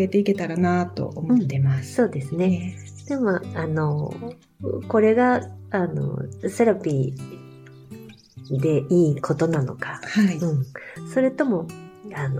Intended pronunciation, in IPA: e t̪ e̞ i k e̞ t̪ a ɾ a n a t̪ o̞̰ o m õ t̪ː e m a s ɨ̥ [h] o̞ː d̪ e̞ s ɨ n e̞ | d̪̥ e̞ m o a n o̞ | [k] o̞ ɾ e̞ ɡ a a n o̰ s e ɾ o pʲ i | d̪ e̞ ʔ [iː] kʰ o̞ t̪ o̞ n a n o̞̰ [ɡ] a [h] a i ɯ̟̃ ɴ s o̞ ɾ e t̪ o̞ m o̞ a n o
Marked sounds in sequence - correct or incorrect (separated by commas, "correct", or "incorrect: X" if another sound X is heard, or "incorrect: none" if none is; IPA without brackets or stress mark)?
incorrect: s, correct, correct, incorrect: k, correct